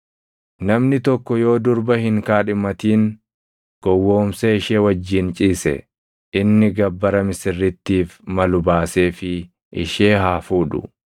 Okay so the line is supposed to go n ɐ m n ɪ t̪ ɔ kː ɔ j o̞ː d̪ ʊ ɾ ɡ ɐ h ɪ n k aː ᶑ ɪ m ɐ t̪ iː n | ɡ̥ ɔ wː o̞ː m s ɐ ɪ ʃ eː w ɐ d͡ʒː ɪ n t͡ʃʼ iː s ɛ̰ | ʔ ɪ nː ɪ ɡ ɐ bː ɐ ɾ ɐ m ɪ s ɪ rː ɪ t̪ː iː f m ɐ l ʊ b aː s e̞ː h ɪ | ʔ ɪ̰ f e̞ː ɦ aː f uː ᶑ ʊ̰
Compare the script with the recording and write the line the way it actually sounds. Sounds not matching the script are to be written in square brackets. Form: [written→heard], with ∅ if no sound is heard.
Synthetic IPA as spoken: n ɐ m n ɪ t̪ ɔ kː ɔ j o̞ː d̪ ʊ ɾ [ɡ→b] ɐ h ɪ [n→ŋ] k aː ᶑ ɪ m ɐ t̪ iː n | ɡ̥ ɔ wː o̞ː m s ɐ ɪ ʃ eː w ɐ d͡ʒː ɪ n t͡ʃʼ iː s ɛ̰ | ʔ ɪ nː ɪ ɡ ɐ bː ɐ ɾ ɐ m ɪ s ɪ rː ɪ t̪ː iː f m ɐ l ʊ b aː s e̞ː [h→f] ɪ | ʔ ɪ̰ [f→ʃ] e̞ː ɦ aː f uː ᶑ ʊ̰